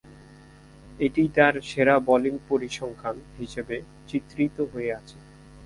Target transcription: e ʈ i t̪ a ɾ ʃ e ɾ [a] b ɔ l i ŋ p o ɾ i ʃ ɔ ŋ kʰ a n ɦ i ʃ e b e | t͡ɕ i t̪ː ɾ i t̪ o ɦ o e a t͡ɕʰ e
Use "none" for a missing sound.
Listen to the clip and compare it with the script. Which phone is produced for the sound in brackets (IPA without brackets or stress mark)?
a